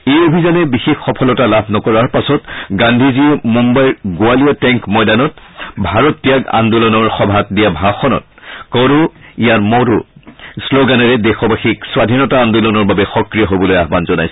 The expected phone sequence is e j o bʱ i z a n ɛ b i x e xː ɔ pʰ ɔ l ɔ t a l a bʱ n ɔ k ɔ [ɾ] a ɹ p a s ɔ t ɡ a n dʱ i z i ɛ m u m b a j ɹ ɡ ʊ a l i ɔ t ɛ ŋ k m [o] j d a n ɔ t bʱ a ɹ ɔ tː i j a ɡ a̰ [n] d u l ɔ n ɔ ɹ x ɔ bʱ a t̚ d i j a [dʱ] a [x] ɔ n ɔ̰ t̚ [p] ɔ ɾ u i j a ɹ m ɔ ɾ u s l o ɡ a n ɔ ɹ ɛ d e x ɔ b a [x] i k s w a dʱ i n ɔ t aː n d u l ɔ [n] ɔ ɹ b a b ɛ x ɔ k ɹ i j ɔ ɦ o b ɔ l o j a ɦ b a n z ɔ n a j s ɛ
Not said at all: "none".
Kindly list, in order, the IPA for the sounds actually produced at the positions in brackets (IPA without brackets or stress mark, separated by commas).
ɹ, ɔ, n, bʱ, x, k, x, n